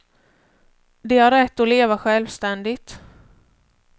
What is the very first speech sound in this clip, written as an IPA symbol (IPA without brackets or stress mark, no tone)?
d̪